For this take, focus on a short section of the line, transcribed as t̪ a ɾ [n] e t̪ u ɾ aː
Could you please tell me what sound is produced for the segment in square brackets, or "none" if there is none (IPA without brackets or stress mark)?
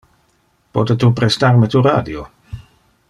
m